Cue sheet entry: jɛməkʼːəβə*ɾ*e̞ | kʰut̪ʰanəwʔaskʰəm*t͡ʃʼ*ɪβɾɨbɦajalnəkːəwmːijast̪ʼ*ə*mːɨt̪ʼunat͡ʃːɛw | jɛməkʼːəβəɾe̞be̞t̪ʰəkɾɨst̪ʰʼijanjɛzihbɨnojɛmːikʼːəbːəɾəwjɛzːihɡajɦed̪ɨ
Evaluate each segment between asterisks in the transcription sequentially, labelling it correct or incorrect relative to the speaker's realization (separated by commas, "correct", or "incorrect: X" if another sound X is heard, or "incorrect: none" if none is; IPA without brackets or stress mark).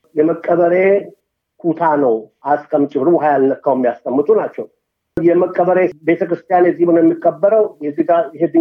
correct, correct, correct